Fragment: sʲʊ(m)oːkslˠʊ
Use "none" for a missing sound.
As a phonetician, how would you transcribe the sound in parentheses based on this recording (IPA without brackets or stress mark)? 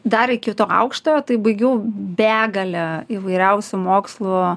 m